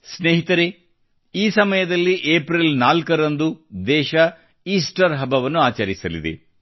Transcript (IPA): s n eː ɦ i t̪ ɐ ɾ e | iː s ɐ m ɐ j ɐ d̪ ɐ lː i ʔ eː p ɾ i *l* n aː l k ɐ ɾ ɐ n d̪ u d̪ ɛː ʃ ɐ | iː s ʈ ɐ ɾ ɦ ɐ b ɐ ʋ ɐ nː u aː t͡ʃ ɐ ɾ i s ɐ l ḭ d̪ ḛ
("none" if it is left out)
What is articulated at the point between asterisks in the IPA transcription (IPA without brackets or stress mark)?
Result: l